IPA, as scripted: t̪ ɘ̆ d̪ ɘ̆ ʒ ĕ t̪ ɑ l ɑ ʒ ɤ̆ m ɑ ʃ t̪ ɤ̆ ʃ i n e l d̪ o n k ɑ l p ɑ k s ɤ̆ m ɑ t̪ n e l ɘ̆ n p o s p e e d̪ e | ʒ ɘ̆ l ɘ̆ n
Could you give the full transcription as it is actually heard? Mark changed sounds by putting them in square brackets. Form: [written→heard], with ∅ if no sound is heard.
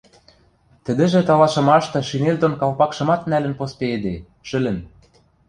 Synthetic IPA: t̪ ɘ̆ d̪ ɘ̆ ʒ ĕ t̪ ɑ l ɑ [ʒ→ʃ] ɤ̆ m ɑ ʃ t̪ ɤ̆ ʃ i n e l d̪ o n k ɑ l p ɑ k [s→ʃ] ɤ̆ m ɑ t̪ n [e→æ] l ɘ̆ n p o s p e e d̪ e | [ʒ→ʃ] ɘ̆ l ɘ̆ n